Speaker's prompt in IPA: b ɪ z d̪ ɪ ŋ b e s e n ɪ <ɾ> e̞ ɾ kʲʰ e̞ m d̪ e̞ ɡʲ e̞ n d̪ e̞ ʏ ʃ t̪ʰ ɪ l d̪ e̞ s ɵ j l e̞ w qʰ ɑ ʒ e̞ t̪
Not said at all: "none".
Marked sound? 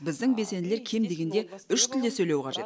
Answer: l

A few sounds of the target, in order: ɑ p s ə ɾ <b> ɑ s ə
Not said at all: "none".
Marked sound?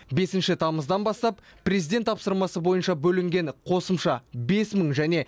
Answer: m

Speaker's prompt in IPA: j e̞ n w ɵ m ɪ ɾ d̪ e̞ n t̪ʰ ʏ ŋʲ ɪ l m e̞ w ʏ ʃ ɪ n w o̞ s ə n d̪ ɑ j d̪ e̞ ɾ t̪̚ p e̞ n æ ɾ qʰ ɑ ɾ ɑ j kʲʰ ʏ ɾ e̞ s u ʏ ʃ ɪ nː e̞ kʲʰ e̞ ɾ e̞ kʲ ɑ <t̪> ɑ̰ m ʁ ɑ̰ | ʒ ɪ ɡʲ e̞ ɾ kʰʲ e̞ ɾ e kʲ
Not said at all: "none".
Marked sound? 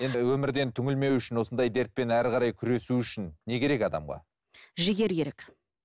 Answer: d̪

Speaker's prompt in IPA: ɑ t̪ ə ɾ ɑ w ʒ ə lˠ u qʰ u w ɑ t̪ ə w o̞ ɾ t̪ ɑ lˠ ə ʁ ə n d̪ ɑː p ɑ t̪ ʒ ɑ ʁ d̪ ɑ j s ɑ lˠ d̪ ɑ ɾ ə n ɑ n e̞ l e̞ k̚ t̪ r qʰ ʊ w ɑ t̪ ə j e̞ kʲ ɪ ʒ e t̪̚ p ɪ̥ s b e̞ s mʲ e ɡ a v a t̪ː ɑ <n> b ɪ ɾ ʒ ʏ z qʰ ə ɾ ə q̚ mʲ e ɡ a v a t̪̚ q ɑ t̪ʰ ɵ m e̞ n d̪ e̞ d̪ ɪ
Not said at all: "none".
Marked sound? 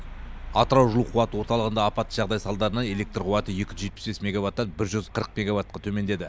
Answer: n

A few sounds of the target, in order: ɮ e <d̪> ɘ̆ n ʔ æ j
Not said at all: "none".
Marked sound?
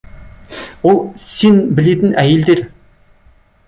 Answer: t̪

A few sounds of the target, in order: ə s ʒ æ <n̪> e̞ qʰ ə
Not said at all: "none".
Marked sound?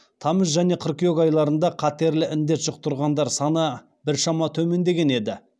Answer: n̪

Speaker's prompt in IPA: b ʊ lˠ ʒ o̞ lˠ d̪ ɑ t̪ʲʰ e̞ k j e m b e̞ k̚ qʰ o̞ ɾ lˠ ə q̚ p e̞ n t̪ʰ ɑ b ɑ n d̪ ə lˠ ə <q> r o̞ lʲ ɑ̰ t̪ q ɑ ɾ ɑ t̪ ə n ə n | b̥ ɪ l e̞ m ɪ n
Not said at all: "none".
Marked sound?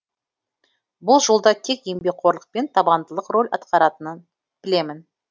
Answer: q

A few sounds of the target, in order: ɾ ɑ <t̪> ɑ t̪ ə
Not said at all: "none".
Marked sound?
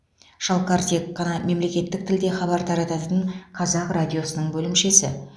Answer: t̪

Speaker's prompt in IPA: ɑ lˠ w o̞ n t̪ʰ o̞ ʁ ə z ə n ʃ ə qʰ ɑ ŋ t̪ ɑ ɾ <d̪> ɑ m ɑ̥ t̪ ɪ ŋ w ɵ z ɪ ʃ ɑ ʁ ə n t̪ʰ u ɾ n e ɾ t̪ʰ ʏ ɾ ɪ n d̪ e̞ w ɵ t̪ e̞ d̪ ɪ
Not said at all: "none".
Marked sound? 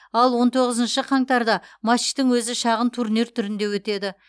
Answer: d̪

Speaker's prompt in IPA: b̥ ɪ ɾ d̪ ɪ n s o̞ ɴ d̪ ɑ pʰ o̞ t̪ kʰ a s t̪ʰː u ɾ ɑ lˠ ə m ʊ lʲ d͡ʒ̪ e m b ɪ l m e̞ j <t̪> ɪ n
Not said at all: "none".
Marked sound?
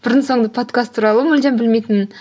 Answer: t̪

